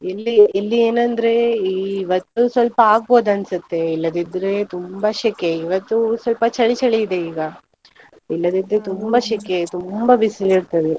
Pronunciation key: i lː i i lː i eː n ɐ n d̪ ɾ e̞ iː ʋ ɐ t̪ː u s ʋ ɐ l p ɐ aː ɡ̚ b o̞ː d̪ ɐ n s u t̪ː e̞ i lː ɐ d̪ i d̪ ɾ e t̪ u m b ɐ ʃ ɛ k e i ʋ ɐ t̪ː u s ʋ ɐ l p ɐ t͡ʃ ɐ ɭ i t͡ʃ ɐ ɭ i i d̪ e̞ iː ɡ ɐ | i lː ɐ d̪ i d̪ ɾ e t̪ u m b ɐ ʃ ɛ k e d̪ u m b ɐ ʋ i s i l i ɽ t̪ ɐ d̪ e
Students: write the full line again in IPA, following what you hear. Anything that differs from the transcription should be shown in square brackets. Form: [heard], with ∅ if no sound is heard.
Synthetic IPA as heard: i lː i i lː i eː n ɐ n d̪ ɾ e̞ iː ʋ ɐ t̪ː u s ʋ ɐ l p ɐ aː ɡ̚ b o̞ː d̪ ɐ n s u t̪ː e̞ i lː ɐ d̪ i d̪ ɾ e t̪ u m b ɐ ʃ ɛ k e i ʋ ɐ t̪ː u s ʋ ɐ l p ɐ t͡ʃ ɐ ɭ i t͡ʃ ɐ ɭ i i d̪ e̞ iː ɡ ɐ | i lː ɐ d̪ i d̪ ɾ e t̪ u m b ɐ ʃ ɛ k e [t̪] u m b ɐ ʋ i s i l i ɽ t̪ ɐ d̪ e